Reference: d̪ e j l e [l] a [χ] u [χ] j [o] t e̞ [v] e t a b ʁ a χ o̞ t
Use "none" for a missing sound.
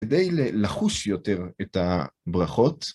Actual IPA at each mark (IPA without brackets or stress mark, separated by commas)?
l, χ, ʃ, o, ʁ